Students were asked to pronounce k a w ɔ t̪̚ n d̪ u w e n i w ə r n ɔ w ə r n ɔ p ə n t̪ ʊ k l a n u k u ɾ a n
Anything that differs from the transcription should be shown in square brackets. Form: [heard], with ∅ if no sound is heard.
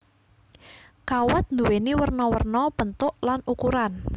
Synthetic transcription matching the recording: k a w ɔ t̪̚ n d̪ u w e n i w ə r n ɔ w ə r n ɔ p ə n t̪ ʊ [ʔ] l a n u k u ɾ a n